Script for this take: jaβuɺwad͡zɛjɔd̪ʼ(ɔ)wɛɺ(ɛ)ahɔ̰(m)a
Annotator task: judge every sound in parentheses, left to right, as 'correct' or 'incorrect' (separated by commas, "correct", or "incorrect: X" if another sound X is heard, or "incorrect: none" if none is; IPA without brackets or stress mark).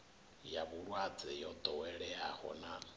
correct, correct, incorrect: n